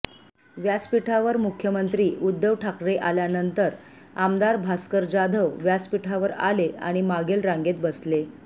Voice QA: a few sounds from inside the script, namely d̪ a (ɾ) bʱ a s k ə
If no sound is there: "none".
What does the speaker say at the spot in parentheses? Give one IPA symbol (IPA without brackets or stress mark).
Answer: ɾ